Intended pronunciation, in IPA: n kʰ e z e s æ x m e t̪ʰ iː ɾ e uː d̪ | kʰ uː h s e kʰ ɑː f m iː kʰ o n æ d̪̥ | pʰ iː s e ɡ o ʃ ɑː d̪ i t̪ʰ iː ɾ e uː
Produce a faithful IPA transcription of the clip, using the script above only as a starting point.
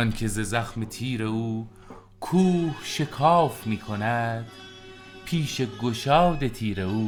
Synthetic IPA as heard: n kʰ e z e z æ x m e t̪ʰ iː ɾ e uː | kʰ uː h ʃ e kʰ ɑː f m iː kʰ o n æ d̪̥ | pʰ iː ʃ e ɡ o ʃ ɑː d̪ e t̪ʰ iː ɾ e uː